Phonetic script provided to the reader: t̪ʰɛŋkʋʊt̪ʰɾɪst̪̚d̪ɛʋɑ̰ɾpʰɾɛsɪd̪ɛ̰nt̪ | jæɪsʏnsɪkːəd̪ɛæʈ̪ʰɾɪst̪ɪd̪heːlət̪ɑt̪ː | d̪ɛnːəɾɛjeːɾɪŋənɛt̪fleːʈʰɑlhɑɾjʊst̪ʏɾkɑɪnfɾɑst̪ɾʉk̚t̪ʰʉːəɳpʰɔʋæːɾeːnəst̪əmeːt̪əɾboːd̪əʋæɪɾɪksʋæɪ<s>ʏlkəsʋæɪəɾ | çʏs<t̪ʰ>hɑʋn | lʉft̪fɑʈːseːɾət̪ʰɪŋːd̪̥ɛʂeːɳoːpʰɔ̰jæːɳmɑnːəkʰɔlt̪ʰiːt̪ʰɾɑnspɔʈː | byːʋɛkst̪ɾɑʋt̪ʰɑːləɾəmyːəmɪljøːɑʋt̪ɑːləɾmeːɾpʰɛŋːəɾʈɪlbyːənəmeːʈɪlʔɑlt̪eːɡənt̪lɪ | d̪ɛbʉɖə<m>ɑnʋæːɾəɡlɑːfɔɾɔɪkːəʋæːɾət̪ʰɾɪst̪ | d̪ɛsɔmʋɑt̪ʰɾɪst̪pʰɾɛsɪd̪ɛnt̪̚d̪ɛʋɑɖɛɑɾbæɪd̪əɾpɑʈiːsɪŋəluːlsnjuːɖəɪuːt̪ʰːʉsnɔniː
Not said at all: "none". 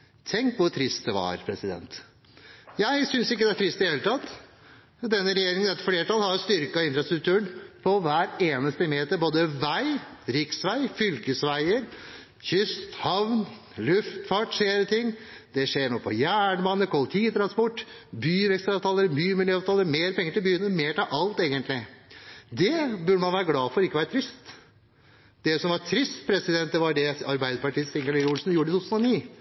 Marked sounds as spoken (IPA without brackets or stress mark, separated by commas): f, t̪, m